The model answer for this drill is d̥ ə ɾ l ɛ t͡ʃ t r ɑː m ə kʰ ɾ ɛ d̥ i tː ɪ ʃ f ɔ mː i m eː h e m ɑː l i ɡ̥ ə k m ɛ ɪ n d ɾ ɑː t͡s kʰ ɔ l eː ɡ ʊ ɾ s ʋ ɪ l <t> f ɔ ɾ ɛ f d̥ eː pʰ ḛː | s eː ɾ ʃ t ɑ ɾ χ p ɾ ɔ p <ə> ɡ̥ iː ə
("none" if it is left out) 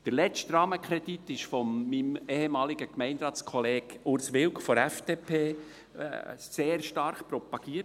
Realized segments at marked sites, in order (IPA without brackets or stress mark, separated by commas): k, ɑ